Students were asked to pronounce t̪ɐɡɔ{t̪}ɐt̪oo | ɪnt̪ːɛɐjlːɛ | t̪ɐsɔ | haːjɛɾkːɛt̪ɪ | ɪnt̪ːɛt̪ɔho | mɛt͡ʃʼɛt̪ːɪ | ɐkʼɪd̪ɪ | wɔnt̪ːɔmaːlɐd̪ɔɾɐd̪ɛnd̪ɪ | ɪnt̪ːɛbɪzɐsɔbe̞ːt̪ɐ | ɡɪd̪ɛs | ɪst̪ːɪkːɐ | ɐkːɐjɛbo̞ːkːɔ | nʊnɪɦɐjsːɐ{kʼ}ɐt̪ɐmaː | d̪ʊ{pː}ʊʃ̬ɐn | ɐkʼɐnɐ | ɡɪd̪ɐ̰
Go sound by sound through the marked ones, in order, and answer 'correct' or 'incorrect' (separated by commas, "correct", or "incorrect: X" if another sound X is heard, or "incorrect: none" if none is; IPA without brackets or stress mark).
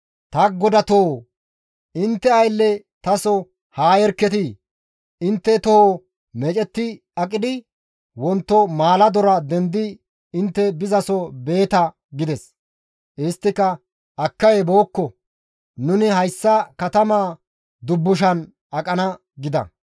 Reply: incorrect: d̪, incorrect: k, incorrect: bː